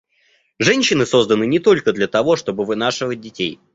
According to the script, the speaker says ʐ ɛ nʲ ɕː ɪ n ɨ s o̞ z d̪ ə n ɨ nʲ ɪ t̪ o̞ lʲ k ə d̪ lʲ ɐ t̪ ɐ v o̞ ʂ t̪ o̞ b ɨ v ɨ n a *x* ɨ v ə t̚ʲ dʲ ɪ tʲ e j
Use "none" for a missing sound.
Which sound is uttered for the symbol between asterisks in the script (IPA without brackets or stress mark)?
ʂ